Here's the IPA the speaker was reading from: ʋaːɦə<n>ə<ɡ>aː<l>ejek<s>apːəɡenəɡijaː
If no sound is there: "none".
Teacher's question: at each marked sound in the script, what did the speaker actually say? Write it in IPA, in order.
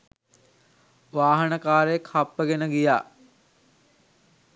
n, k, ɾ, h

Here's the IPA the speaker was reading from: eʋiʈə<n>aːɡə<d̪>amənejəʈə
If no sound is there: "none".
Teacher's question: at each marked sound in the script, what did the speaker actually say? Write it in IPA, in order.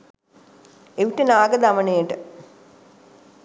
n, d̪

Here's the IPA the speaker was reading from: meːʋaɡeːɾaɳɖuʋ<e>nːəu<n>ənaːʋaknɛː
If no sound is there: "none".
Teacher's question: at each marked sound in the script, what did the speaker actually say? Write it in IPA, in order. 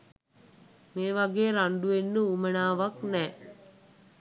e, m

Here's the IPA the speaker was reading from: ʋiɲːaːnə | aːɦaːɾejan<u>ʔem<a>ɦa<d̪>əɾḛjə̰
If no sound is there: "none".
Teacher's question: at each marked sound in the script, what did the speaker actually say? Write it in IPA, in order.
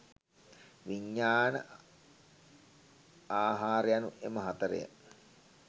u, ə, t̪

